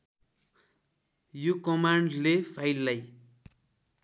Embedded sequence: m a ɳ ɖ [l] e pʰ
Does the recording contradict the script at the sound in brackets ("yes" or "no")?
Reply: no